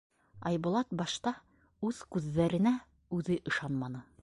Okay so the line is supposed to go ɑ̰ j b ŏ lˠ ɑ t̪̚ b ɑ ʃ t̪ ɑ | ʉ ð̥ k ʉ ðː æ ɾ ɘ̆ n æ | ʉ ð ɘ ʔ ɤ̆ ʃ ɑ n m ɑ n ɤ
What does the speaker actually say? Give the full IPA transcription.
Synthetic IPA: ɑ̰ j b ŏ lˠ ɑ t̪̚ b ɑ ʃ t̪ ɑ | ʉ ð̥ k ʉ ðː æ ɾ ɘ̆ n æ | ʉ ð ɘ ʔ ɤ̆ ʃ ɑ n m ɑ n ɤ